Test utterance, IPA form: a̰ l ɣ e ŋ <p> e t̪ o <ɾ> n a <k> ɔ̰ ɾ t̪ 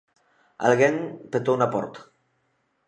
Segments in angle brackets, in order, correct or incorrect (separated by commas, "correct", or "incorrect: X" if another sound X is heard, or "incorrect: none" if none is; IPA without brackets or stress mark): correct, incorrect: none, incorrect: p